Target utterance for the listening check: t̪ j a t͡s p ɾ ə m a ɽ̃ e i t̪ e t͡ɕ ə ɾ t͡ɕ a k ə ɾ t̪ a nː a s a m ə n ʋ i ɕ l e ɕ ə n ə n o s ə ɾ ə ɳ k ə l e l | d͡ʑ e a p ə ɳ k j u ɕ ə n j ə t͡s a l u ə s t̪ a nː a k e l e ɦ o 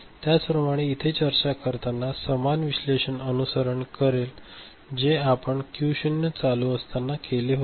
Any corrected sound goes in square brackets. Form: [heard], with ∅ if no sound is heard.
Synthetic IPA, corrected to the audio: t̪ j a t͡s p ɾ ə m a ɽ̃ e i [t̪ʰ] e t͡ɕ ə ɾ t͡ɕ a k ə ɾ t̪ a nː a s [ə] m [a] n ʋ i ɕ l e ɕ ə n ə n [u] s ə ɾ ə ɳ k ə [ɾ] e l | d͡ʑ e a p ə ɳ k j u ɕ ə n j ə t͡s a l u ə s t̪ a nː a k e l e ɦ o

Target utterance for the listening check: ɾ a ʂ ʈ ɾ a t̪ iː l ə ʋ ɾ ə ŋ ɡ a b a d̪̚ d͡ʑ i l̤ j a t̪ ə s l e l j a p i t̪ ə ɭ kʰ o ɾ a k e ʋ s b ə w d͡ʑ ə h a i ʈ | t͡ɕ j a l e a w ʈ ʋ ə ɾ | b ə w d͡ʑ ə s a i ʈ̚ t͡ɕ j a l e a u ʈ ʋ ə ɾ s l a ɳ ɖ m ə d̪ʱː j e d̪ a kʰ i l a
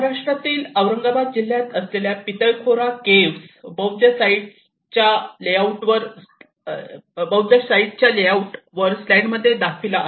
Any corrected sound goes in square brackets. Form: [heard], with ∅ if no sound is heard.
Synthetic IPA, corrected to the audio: ɾ a ʂ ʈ ɾ a t̪ iː l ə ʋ ɾ ə ŋ ɡ a b a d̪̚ d͡ʑ i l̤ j a t̪ ə s l e l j a p i t̪ ə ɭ kʰ o ɾ a k e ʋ s b ə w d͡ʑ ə [s] a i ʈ | t͡ɕ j a l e a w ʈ ʋ ə ɾ | b ə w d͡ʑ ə s a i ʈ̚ t͡ɕ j a l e a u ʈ ʋ ə ɾ s l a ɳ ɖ m ə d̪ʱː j e d̪ a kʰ i l a

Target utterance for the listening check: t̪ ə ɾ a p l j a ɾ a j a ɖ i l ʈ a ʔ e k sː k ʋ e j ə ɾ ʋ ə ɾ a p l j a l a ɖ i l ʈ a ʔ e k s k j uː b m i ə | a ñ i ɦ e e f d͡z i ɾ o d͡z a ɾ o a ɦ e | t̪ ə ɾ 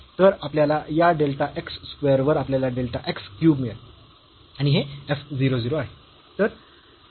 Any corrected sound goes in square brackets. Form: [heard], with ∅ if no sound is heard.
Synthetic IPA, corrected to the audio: t̪ ə ɾ a p l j a [l] a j a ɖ [e] l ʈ a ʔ e k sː k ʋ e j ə ɾ ʋ ə ɾ a p l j a l a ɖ [e] l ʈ a ʔ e k s k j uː b m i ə | a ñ i ɦ e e f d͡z i ɾ o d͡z [i] ɾ o a ɦ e | t̪ ə ɾ

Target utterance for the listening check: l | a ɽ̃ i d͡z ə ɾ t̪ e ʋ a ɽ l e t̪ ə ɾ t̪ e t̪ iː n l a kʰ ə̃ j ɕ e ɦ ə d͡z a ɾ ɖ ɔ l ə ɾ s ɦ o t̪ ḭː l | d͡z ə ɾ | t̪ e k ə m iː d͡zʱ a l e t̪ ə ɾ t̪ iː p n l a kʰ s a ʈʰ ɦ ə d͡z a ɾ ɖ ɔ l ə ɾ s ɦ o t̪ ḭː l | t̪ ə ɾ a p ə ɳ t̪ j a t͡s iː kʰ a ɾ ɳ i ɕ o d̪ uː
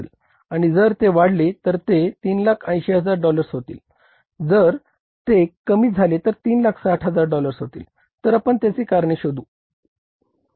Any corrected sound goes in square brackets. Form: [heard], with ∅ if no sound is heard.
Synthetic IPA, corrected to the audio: l | a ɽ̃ i d͡z ə ɾ t̪ e ʋ a ɽ l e t̪ ə ɾ t̪ e t̪ iː n l a kʰ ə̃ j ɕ e ɦ ə d͡z a ɾ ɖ ɔ l ə ɾ s ɦ o t̪ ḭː l | d͡z ə ɾ | t̪ e k ə m iː d͡zʱ a l e t̪ ə ɾ t̪ iː [∅] n l a kʰ s a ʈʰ ɦ ə d͡z a ɾ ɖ ɔ l ə ɾ s ɦ o t̪ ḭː l | t̪ ə ɾ a p ə ɳ t̪ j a t͡s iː [k] a ɾ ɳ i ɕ o d̪ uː

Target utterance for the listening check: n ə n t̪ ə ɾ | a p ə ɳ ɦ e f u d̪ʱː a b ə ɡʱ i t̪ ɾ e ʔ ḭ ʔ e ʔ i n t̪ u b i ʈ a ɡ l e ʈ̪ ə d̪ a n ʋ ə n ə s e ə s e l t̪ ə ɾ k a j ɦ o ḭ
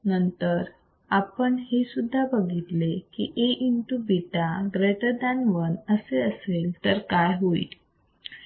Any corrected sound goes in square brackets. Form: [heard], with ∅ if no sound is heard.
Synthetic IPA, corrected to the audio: n ə n t̪ ə ɾ | a p ə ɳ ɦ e [s] u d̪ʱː a b ə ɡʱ i t̪ [l] e [k] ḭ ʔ e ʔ i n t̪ u b i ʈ a ɡ [ɾ] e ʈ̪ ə d̪ a n ʋ ə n ə s e ə s e l t̪ ə ɾ k a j ɦ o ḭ

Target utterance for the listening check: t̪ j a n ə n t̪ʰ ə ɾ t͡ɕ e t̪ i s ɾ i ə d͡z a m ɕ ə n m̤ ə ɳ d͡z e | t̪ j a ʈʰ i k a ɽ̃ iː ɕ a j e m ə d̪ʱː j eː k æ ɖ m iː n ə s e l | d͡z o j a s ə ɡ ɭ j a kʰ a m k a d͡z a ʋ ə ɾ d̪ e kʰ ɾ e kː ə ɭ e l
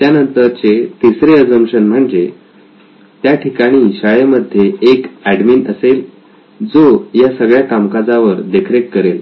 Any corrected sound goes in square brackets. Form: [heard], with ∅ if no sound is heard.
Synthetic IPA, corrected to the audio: t̪ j a n ə n [t̪] ə ɾ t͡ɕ e t̪ i s ɾ [e] ə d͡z [ə] m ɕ ə n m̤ ə ɳ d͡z e | t̪ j a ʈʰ i k a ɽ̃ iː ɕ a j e m ə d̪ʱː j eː k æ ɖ m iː n ə s e l | d͡z o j a s ə ɡ ɭ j a [k] a m k a d͡z a ʋ ə ɾ d̪ e kʰ ɾ e kː ə [ɾ] e l

